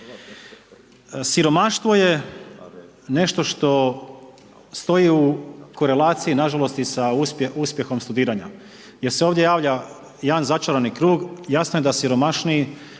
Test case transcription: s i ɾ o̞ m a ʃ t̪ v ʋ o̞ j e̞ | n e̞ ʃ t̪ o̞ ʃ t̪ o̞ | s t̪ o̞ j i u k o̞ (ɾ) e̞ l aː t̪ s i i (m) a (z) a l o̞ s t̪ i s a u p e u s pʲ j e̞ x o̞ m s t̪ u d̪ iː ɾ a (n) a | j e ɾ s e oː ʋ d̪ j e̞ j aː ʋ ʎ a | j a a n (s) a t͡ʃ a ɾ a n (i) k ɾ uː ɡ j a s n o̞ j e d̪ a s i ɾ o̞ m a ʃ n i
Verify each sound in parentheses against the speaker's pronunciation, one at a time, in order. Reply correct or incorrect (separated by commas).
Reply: correct, incorrect, incorrect, incorrect, incorrect, correct